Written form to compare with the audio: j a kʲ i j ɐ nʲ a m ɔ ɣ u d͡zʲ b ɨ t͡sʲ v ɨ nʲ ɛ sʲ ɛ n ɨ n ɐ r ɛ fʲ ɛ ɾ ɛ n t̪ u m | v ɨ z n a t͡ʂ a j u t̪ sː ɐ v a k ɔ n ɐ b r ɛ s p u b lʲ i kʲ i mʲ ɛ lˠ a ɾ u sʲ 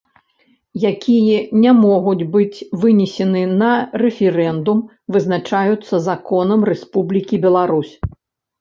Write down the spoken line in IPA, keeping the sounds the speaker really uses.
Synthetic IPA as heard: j a kʲ i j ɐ nʲ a m ɔ ɣ u d͡zʲ b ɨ t͡sʲ v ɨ nʲ ɛ sʲ ɛ n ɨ n ɐ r ɛ fʲ ɛ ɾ ɛ n d̪ u m | v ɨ z n a t͡ʂ a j u t̪ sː ɐ z a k ɔ n ɐ m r ɛ s p u b lʲ i kʲ i bʲ ɛ lˠ a ɾ u sʲ